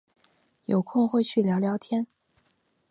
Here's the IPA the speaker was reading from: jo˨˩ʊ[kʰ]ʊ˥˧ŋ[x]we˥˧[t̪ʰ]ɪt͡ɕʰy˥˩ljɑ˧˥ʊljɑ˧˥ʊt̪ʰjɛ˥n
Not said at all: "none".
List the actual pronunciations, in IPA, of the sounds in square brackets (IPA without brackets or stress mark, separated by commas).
kʰ, x, none